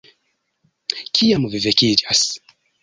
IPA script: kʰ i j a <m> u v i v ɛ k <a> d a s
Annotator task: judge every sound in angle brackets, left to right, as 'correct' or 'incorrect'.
correct, incorrect

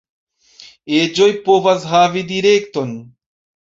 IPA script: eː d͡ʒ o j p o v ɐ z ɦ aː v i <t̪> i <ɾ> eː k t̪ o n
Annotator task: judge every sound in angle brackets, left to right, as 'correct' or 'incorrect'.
incorrect, correct

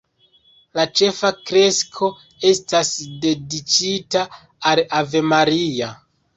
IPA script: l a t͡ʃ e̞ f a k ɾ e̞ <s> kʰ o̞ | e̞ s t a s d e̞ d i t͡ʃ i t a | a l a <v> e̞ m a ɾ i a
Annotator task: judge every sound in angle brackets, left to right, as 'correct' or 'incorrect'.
correct, correct

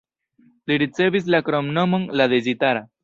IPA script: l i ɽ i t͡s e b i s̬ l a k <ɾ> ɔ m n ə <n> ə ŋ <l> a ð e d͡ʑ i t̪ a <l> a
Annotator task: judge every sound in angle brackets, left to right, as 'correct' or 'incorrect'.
correct, incorrect, correct, incorrect

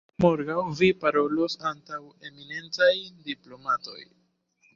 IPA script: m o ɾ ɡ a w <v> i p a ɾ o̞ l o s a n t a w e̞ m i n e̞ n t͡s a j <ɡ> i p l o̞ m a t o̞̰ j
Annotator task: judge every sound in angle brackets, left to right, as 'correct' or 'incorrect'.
correct, incorrect

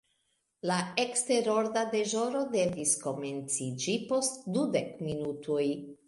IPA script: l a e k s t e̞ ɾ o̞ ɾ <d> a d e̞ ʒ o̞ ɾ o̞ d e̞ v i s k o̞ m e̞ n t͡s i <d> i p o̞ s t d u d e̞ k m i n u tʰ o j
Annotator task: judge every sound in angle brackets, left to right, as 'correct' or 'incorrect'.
correct, incorrect

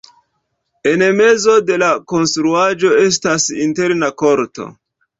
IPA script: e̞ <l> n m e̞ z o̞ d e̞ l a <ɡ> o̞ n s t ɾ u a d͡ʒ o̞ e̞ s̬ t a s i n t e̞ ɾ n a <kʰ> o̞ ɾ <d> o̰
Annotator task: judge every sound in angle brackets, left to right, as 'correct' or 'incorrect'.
incorrect, incorrect, incorrect, incorrect

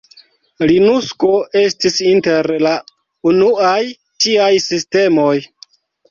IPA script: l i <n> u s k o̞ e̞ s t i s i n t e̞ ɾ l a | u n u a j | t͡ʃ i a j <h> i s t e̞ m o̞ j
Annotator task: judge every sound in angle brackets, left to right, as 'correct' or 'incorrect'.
correct, incorrect

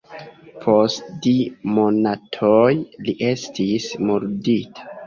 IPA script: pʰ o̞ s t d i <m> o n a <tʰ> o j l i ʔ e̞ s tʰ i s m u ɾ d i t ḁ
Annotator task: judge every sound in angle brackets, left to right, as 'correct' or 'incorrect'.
correct, correct

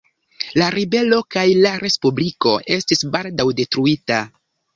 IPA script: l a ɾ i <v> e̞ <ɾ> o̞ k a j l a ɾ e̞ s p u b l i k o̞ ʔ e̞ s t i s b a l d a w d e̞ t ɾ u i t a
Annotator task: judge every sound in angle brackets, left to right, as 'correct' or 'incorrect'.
incorrect, incorrect

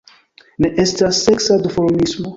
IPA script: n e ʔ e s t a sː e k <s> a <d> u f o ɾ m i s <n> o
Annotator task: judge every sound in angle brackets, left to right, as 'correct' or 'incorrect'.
correct, correct, incorrect

